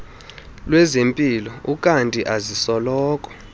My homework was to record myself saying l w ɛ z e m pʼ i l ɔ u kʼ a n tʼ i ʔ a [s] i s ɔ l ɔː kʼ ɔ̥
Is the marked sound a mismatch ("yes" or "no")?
yes